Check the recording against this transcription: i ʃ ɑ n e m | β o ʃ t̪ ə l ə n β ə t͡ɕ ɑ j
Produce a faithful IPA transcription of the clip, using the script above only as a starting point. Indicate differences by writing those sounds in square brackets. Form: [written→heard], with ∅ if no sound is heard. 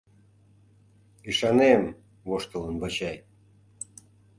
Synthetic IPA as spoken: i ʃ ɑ n e m | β o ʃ t̪ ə l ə n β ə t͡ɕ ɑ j